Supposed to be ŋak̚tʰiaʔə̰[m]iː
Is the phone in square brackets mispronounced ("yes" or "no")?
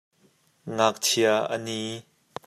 yes